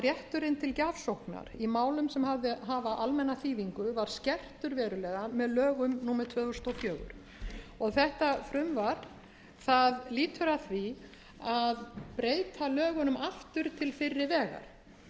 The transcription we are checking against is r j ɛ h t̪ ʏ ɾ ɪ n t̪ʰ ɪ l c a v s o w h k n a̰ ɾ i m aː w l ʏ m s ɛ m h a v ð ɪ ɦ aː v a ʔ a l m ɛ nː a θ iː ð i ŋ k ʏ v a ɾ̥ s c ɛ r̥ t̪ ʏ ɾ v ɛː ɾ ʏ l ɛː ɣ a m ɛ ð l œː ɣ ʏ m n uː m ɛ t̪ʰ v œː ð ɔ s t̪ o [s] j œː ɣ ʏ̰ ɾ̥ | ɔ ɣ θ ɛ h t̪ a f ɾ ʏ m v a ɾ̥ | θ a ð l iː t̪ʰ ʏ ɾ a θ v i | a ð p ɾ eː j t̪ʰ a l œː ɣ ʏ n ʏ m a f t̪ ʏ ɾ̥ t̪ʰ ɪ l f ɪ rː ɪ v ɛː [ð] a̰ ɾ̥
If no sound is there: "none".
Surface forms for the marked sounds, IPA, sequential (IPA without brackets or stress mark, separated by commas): f, ɣ